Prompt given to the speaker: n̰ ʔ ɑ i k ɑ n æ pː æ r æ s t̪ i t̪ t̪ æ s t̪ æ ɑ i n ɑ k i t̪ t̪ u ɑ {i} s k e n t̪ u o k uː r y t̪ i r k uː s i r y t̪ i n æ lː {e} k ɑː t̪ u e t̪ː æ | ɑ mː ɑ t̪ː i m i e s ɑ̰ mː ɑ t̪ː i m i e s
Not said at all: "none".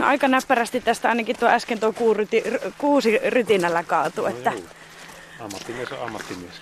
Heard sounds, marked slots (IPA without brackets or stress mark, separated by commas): æ, æ